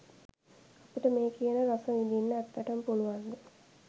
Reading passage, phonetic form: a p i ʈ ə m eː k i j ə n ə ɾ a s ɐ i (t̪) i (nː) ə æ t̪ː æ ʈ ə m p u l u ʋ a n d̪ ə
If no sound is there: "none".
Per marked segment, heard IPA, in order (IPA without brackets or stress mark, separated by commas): d̪, nː